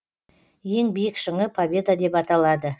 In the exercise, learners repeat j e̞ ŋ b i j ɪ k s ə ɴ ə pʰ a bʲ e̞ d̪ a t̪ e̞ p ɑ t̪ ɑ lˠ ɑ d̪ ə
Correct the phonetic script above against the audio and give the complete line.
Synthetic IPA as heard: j e̞ ŋ b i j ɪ k ʃ ə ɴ ə pʰ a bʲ e̞ d̪ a d̪ e̞ p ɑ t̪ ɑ lˠ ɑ d̪ ə